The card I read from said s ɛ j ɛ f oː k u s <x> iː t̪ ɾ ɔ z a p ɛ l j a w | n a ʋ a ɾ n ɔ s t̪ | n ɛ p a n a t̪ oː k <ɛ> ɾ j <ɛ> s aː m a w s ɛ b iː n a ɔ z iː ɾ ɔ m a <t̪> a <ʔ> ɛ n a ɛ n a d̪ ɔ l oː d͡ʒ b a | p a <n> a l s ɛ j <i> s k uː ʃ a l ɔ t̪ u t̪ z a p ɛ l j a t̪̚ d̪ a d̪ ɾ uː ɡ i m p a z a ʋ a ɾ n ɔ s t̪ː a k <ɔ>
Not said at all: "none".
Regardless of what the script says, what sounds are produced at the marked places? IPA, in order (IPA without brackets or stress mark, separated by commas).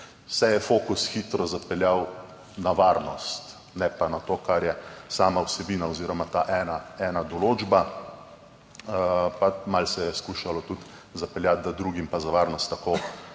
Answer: x, a, ɛ, t̪, ʔ, m, ɛ, o